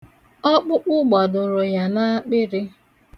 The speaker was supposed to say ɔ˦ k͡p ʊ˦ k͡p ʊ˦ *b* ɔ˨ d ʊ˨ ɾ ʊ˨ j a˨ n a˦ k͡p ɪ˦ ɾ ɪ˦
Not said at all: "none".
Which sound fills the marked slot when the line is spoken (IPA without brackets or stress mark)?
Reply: ɡ͡b